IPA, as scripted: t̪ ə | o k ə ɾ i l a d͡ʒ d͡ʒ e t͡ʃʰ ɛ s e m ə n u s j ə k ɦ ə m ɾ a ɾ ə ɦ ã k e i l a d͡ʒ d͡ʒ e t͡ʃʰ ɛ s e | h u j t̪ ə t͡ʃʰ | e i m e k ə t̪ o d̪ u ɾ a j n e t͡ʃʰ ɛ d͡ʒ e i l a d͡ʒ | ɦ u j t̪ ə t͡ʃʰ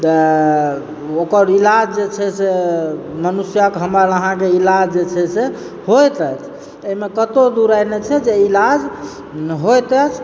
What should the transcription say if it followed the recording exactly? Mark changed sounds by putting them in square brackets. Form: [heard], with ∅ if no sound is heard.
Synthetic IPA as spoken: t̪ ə | o k ə ɾ i l a d͡ʒ d͡ʒ e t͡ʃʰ ɛ s e m ə n u s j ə k ɦ ə m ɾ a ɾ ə ɦ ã k e i l a d͡ʒ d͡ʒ e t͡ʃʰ ɛ s e | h [o] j t̪ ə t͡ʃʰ | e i m e k ə t̪ o d̪ u ɾ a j n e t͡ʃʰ ɛ d͡ʒ e i l a d͡ʒ | ɦ [o] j t̪ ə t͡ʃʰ